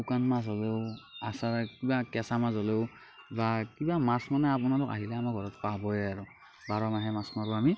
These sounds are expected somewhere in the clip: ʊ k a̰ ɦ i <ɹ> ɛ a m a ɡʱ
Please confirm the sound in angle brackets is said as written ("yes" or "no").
no